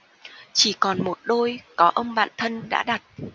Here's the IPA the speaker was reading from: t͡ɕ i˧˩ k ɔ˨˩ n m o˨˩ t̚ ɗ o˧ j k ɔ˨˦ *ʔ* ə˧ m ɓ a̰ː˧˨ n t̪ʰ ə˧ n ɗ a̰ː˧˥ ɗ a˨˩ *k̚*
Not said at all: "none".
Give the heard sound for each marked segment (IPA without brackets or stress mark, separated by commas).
ʔ, t̚